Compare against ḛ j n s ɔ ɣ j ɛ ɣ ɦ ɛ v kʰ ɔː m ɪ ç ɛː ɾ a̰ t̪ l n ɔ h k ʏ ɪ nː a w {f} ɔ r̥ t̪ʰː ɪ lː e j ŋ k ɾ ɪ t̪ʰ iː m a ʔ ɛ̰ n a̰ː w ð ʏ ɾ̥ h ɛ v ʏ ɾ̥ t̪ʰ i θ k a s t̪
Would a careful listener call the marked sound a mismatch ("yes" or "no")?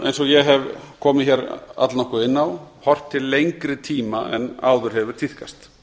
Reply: yes